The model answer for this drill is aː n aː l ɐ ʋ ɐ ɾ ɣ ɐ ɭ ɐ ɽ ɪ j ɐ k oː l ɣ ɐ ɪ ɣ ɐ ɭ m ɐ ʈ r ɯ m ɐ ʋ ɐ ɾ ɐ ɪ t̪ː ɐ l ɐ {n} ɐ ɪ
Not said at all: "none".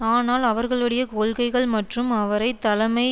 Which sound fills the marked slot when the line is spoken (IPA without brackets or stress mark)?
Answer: m